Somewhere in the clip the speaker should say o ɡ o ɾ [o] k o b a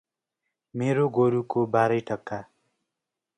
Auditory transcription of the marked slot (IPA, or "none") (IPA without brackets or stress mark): u